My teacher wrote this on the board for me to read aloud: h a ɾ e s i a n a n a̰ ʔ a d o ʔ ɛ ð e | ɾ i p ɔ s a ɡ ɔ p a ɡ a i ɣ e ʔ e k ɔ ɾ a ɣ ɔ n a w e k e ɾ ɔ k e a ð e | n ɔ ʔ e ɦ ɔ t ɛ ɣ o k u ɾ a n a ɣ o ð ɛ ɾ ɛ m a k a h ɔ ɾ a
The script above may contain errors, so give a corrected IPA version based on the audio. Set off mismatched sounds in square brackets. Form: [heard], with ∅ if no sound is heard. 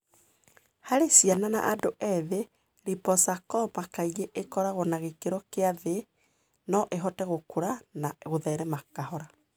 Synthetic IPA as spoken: h a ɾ e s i a n a n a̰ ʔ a d o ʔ ɛ ð e | ɾ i p ɔ s a [k] ɔ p a [k] a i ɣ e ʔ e k ɔ ɾ a ɣ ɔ n a [ɣ] e k e ɾ ɔ k e a ð e | n ɔ ʔ e ɦ ɔ t ɛ ɣ o k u ɾ a n a ɣ o ð ɛ ɾ ɛ m a k a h ɔ ɾ a